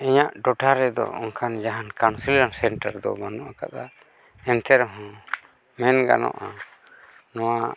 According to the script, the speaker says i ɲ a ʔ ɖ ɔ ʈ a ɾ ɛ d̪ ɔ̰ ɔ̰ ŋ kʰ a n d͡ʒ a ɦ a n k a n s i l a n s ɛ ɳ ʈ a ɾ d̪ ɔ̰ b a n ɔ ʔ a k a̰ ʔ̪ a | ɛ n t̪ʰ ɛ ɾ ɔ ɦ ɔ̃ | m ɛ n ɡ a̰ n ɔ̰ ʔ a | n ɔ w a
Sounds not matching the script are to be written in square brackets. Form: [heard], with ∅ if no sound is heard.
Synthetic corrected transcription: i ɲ a ʔ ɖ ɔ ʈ a ɾ ɛ d̪ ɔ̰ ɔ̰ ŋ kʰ a n d͡ʒ a ɦ a n k a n s i l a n s ɛ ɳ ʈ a ɾ d̪ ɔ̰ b a n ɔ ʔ a k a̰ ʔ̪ a | ɛ n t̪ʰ ɛ ɾ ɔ ɦ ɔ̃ | m ɛ n ɡ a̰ n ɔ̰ ʔ a | n ɔ w a